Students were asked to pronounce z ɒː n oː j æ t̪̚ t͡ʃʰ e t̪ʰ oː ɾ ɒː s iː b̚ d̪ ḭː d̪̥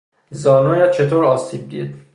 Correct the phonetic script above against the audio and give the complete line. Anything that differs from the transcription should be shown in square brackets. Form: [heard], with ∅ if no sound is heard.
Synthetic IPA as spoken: z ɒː n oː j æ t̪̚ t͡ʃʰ e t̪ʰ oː ɾ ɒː s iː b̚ d̪ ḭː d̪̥